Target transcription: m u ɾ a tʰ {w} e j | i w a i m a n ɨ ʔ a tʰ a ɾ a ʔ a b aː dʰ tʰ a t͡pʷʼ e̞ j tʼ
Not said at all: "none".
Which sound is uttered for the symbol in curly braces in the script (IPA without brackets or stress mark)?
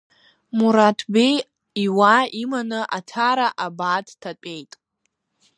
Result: b